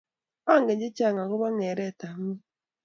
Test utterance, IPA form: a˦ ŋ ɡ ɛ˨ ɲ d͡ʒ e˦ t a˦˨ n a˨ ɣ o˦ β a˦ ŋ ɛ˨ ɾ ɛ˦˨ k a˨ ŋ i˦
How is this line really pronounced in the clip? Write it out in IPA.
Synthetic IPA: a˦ ŋ ɡ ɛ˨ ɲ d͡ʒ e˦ t͡ʃ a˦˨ ŋ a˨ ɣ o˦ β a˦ ŋ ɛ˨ ɾ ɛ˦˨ t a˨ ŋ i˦